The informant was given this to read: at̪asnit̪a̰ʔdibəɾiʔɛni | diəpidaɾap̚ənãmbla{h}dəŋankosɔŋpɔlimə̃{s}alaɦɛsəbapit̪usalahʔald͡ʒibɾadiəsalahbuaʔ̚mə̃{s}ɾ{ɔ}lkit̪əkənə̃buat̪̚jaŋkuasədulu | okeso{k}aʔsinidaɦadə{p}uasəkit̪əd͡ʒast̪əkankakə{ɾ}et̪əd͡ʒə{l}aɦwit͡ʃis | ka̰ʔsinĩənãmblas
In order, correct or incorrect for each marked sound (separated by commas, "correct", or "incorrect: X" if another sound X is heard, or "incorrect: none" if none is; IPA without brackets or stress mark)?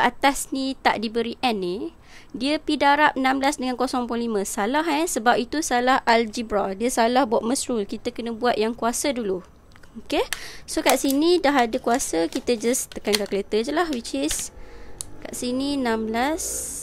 incorrect: s, correct, correct, incorrect: u, correct, incorrect: k, incorrect: l, correct